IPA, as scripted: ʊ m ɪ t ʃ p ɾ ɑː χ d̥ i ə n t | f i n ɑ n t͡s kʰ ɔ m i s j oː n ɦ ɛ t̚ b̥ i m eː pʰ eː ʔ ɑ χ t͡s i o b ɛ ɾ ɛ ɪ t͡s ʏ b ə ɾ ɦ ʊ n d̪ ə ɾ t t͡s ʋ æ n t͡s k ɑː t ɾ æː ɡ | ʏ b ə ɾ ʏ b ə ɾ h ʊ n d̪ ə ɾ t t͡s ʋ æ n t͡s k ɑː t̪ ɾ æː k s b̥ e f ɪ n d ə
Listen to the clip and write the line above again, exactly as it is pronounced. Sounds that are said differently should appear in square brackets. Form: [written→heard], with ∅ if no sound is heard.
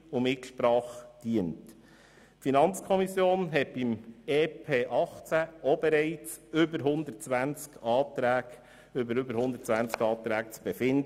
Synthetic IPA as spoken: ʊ m ɪ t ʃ p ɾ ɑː χ d̥ i ə n t | f i n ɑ n t͡s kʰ ɔ m i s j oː n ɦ ɛ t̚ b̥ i m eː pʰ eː ʔ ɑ χ t͡s [i→æ] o b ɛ ɾ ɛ ɪ t͡s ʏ b ə ɾ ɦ ʊ n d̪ ə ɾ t t͡s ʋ æ n t͡s k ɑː t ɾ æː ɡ | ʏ b ə ɾ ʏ b ə ɾ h ʊ n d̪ ə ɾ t t͡s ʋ æ n t͡s k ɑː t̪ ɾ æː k [s→t͡s] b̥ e f ɪ n d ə